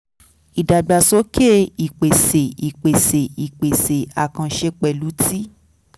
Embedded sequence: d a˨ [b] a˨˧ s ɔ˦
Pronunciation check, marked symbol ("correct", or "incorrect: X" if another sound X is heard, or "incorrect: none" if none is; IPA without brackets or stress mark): incorrect: ɡ͡b